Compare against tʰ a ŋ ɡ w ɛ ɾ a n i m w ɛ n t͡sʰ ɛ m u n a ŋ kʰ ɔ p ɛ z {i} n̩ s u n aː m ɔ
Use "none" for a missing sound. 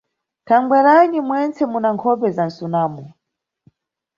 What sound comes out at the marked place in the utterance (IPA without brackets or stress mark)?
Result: a